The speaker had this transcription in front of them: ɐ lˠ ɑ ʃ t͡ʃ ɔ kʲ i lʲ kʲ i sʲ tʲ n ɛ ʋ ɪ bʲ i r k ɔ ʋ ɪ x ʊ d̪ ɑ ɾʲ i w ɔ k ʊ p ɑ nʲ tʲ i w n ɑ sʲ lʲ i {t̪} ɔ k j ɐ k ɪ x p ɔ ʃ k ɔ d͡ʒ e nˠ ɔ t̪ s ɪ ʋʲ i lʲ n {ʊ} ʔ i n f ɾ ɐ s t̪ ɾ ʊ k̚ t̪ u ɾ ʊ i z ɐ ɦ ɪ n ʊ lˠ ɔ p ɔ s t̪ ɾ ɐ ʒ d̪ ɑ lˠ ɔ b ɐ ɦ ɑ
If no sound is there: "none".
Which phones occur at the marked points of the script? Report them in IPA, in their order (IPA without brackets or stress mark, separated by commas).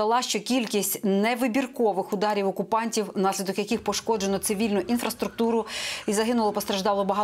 d̪, ʊ